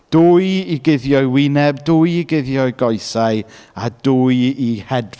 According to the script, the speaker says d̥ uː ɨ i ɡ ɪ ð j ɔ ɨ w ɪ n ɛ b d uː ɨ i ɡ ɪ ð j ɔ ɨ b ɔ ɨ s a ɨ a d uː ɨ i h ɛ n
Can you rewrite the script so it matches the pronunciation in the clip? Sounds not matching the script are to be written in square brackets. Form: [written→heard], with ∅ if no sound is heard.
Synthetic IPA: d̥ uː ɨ i ɡ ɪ ð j ɔ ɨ w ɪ n ɛ b d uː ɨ i ɡ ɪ ð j ɔ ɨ [b→ɡ] ɔ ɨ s a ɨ a d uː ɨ i h ɛ [n→d]